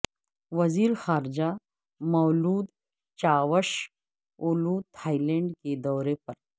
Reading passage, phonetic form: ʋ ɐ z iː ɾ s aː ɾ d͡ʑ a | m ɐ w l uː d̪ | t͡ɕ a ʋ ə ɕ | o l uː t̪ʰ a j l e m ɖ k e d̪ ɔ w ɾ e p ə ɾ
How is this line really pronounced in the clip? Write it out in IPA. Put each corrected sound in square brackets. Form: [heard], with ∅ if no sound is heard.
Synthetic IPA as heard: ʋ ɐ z iː ɾ [x] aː ɾ d͡ʑ a | m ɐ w l uː d̪ | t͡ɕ a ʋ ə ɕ | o l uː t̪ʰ a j l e [ɳ] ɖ k e d̪ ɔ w ɾ e p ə ɾ